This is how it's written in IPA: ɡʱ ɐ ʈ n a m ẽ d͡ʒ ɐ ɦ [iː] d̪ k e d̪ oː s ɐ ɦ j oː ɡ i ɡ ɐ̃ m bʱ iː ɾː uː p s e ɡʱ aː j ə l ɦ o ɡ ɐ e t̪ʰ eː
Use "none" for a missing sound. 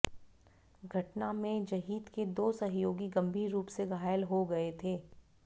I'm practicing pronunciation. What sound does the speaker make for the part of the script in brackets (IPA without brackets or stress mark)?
iː